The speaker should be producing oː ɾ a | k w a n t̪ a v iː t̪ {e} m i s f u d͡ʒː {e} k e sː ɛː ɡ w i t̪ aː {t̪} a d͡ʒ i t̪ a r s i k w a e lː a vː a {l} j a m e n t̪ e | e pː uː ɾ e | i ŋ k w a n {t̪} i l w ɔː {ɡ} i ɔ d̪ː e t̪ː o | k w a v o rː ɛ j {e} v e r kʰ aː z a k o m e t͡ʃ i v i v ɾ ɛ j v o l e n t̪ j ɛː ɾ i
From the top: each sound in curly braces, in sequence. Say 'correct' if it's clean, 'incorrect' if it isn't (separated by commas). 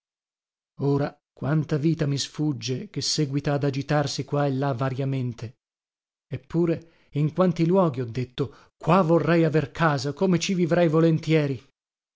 incorrect, correct, incorrect, incorrect, correct, correct, incorrect